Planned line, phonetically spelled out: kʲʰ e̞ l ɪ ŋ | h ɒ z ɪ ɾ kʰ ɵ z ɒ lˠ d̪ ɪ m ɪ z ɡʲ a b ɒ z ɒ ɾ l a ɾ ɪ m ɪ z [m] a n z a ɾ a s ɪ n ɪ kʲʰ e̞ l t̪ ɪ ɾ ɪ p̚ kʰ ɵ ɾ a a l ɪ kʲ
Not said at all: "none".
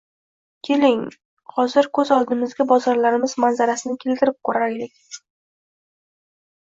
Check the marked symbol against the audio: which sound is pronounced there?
m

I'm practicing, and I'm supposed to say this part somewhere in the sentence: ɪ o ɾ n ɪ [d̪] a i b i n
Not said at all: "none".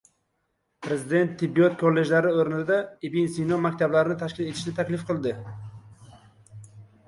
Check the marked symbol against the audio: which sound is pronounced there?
d̪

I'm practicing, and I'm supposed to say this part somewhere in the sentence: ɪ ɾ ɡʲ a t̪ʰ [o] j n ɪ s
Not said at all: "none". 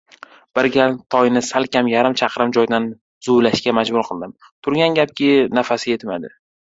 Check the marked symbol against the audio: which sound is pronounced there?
ɒ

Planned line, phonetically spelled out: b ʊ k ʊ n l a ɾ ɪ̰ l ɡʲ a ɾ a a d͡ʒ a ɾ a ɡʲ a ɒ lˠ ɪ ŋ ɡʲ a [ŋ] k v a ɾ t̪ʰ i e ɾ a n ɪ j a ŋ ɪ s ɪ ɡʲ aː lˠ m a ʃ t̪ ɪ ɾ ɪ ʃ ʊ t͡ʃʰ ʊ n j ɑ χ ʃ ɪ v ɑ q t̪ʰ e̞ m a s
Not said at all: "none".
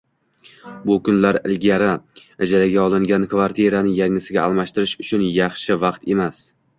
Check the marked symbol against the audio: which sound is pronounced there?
n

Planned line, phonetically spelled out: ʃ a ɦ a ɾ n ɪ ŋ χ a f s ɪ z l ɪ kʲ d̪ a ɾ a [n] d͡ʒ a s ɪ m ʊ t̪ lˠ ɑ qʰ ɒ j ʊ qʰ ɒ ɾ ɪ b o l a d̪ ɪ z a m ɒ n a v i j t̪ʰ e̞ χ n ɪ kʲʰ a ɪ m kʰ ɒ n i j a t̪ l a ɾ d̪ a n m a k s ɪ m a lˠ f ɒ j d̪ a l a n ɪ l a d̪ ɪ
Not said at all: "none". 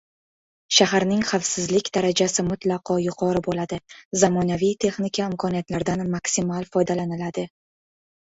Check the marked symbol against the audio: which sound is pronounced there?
none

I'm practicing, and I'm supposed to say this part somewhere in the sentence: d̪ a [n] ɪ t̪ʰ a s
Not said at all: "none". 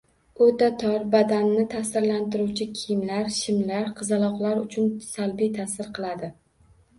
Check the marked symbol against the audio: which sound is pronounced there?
nː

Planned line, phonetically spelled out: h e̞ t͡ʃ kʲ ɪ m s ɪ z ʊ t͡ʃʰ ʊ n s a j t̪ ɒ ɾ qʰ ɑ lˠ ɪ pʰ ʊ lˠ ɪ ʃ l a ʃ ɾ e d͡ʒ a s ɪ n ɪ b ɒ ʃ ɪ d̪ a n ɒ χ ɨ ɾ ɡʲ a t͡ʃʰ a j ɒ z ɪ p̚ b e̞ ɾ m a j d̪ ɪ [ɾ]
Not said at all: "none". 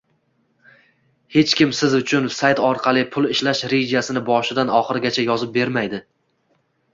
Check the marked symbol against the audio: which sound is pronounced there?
none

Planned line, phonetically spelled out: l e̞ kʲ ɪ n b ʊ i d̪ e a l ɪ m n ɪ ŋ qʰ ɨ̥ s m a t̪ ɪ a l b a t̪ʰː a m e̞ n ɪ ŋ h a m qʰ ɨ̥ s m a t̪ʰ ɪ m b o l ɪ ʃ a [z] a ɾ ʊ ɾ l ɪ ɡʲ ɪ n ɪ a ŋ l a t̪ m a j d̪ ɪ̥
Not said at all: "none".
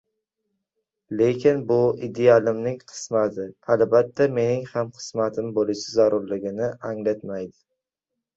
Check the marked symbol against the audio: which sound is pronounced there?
z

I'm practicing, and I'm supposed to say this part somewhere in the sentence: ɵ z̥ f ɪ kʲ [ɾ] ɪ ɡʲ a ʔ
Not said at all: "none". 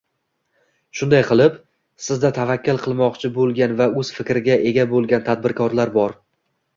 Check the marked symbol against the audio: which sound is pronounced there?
ɾ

